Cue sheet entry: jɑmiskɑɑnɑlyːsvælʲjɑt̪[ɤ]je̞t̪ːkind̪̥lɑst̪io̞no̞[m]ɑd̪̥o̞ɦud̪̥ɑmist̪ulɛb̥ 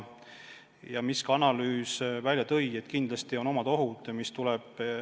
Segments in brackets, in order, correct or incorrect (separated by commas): correct, correct